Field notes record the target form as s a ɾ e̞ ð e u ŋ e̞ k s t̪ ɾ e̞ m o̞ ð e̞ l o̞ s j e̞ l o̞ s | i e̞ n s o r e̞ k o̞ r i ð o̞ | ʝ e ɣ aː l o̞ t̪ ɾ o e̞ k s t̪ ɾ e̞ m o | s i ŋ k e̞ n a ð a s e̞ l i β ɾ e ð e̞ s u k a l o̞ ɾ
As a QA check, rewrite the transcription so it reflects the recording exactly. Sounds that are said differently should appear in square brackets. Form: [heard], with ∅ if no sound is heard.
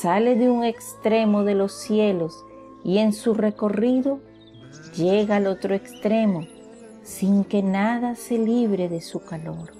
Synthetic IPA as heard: s a [l] e̞ ð e u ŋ e̞ k s t̪ ɾ e̞ m o̞ ð e̞ l o̞ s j e̞ l o̞ s | i e̞ n s [u] r e̞ k o̞ r i ð o̞ | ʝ e ɣ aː l o̞ t̪ ɾ o e̞ k s t̪ ɾ e̞ m o | s i ŋ k e̞ n a ð a s e̞ l i β ɾ e ð e̞ s u k a l o̞ ɾ